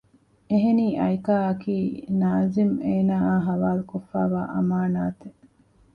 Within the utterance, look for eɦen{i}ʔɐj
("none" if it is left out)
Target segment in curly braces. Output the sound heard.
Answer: iː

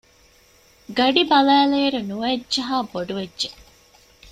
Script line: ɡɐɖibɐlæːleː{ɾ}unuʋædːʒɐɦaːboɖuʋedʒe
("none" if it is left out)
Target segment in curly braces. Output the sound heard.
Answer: ɾ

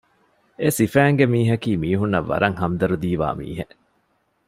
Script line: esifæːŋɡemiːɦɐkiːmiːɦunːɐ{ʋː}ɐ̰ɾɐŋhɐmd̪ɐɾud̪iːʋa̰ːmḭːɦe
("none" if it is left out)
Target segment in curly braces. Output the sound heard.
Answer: ʋː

